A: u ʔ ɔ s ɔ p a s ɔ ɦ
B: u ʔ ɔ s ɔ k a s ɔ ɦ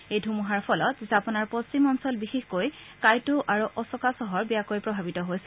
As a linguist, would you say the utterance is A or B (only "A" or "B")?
B